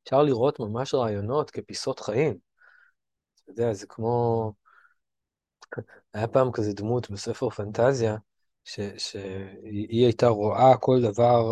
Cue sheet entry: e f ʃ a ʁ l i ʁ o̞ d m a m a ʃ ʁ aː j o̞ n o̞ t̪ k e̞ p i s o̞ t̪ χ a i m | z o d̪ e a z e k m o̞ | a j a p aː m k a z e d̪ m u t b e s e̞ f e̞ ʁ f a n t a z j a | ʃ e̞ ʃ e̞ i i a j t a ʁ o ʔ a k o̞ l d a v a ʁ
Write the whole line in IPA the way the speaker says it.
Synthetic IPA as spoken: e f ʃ a ʁ l i ʁ o̞ t m a m a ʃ ʁ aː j o̞ n o̞ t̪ k e̞ p i s o̞ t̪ χ a i m | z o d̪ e a z e k m o̞ | a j a p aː m k a z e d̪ m u t b e s e̞ f e̞ ʁ f a n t a z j a | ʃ e̞ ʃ e̞ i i a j t a ʁ o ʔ a k o̞ l d a v a ʁ